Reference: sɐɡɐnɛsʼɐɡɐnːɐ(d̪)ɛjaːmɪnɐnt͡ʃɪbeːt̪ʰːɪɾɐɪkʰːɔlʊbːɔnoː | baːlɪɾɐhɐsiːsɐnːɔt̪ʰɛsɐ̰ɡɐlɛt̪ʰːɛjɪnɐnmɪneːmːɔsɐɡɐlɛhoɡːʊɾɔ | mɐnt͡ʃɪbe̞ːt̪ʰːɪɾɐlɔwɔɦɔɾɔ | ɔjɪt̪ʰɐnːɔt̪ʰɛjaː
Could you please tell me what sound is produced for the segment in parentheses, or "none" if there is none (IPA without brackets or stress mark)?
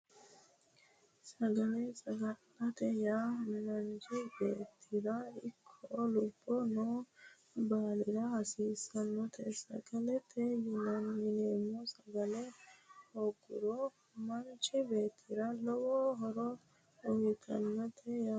t̪